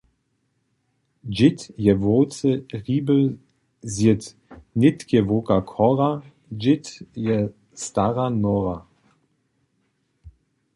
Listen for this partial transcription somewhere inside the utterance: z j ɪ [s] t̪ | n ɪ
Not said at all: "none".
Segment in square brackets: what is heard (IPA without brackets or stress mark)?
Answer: none